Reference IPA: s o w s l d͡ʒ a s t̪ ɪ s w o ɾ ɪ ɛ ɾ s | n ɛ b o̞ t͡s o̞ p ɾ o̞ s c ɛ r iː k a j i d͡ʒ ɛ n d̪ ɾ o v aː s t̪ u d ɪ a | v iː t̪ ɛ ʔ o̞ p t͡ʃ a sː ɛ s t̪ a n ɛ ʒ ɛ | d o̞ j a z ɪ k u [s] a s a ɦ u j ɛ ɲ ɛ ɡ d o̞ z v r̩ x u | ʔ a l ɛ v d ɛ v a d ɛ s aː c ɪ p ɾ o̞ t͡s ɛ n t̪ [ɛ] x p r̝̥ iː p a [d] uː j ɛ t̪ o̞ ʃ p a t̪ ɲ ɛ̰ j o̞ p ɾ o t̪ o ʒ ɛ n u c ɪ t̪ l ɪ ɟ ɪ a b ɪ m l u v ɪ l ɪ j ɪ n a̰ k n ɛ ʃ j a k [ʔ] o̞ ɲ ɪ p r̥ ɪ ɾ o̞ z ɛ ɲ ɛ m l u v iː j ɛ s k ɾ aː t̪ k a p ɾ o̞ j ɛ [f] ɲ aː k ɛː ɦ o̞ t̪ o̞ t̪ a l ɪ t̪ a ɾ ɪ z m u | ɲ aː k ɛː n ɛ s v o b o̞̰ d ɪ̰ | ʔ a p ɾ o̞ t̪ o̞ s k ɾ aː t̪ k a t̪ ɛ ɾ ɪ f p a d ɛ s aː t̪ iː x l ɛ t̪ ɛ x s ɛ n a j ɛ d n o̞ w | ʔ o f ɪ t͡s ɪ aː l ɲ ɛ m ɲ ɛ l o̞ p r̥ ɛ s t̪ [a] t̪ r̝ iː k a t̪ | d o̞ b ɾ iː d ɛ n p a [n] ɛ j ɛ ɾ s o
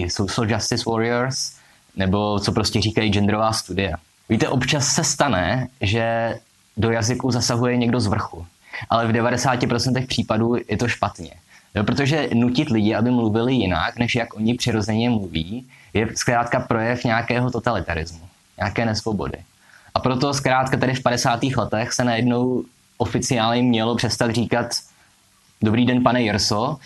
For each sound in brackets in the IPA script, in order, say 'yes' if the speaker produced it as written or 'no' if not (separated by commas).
no, yes, yes, yes, yes, yes, yes